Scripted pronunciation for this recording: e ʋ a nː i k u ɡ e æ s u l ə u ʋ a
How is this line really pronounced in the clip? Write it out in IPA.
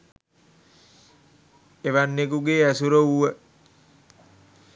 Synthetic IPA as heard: e ʋ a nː e k u ɡ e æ s u ɾ ə u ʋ ə